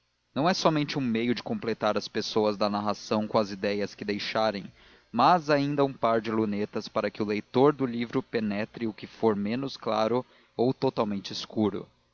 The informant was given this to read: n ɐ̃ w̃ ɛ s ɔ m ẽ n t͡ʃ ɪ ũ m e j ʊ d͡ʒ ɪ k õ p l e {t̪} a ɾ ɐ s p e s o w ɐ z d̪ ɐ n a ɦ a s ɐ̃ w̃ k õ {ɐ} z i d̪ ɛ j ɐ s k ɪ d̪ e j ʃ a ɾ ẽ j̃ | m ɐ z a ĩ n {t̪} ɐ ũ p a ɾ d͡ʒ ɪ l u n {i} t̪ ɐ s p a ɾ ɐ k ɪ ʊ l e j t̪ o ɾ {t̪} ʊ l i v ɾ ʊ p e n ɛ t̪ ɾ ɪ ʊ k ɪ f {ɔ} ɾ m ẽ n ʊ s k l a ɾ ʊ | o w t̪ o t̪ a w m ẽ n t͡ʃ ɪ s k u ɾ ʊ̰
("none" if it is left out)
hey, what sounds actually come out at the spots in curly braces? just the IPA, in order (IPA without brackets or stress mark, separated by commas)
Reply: t̪, ɐ, d̪, e, d̪, o